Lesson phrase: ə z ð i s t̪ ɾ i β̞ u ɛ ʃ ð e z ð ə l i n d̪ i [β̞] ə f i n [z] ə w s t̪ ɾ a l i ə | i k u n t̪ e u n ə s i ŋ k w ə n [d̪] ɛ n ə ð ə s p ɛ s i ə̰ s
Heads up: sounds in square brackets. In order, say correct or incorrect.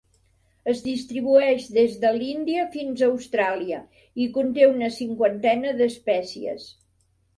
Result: incorrect: none, correct, incorrect: t̪

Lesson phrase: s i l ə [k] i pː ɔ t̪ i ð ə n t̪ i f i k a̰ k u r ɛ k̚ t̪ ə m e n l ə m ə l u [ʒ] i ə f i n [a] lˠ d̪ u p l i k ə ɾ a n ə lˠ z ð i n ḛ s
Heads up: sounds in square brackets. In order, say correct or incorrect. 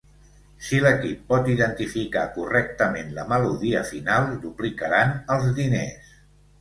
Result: correct, incorrect: ð, correct

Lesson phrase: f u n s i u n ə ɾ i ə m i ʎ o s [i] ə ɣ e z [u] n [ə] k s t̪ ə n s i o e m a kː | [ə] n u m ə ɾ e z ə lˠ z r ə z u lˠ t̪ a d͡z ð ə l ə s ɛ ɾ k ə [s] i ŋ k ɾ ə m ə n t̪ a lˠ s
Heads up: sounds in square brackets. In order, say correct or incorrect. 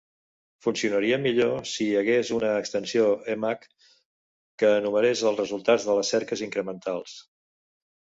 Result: correct, correct, incorrect: əː, incorrect: əː, incorrect: z

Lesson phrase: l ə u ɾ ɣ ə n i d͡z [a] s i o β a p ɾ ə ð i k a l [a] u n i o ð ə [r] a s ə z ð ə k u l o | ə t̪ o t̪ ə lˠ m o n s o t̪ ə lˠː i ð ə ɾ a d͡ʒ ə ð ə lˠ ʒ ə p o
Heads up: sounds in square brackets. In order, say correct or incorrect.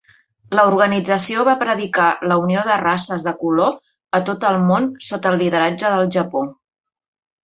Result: incorrect: ə, incorrect: ə, correct

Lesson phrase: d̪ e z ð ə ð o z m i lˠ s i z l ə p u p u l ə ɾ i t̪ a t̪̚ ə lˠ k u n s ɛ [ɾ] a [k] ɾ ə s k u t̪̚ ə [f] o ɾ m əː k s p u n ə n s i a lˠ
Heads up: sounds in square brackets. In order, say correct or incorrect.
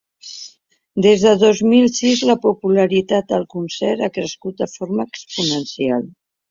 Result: correct, correct, correct

